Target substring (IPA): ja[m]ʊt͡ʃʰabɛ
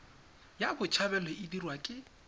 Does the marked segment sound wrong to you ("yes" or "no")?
yes